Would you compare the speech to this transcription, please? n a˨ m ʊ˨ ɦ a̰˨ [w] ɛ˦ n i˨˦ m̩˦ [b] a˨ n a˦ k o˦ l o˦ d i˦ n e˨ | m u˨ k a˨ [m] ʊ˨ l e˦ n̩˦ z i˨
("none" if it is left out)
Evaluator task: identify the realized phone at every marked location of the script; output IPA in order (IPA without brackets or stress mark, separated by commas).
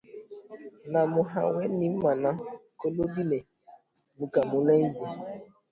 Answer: w, m, m